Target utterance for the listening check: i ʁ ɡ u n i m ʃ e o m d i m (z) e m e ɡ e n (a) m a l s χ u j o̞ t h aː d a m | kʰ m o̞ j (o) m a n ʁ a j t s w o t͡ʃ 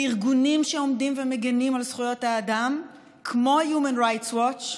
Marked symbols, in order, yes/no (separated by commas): no, no, no